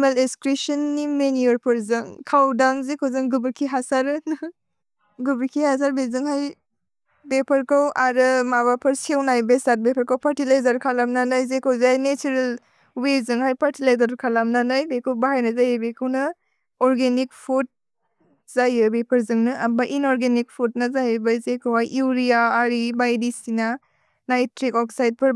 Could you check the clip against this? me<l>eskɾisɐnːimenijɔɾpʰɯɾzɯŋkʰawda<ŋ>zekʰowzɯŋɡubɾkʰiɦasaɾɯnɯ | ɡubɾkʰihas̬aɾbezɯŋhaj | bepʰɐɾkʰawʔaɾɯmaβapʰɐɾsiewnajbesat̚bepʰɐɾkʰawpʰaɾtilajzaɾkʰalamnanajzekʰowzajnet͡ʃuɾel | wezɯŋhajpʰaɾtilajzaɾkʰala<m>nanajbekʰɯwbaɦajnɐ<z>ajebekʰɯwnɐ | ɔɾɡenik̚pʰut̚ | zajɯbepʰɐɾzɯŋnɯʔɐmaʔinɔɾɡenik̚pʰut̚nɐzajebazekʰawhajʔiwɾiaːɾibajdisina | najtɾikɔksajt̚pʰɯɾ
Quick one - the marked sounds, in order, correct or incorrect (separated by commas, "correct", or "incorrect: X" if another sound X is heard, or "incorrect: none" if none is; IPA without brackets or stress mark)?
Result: correct, correct, correct, correct